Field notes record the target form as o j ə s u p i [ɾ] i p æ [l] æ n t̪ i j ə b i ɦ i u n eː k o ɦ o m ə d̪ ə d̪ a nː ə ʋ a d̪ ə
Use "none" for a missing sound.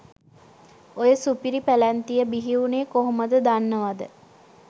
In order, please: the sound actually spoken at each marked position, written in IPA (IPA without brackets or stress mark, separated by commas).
ɾ, l